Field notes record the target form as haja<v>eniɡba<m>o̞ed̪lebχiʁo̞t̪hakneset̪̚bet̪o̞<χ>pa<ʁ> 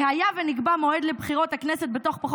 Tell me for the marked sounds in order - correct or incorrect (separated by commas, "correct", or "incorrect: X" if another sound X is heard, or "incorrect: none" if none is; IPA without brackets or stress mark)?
correct, correct, correct, incorrect: χ